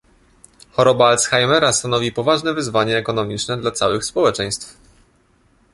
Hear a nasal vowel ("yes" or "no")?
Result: no